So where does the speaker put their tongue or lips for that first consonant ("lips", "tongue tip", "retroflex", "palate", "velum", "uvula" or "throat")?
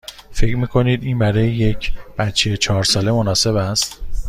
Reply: lips